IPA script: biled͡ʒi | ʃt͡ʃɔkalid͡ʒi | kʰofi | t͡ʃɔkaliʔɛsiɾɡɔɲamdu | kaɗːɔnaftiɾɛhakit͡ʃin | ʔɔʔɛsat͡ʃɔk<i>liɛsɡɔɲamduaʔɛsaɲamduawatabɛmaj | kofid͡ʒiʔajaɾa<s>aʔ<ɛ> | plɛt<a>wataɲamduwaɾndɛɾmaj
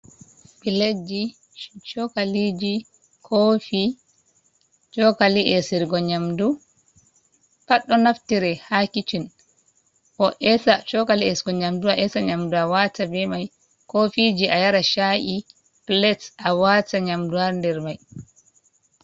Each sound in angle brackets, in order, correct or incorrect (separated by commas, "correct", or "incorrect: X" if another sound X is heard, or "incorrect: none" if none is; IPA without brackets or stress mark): incorrect: a, incorrect: ʃ, incorrect: i, correct